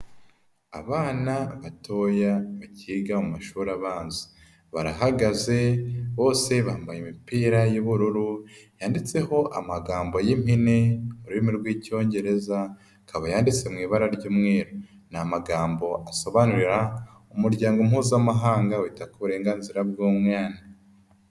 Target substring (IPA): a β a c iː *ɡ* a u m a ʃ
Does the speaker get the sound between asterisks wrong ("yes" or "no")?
no